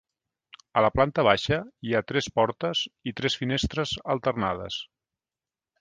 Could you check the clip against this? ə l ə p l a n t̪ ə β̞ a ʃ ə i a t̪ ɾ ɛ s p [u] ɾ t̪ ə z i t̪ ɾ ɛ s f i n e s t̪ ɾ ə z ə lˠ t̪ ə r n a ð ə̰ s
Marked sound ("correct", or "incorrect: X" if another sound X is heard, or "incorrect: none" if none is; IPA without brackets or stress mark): incorrect: ɔ